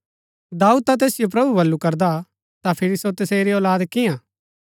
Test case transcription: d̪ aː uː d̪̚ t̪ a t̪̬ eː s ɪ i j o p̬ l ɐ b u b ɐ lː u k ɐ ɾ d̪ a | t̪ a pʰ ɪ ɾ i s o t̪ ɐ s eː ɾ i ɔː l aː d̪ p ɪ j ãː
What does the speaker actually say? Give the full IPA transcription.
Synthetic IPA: d̪ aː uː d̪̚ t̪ a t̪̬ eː s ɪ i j o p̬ ɾ ɐ b u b ɐ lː u k ɐ ɾ d̪ a | t̪ a pʰ ɪ ɾ i s o t̪ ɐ s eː ɾ i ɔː l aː d̪ k ɪ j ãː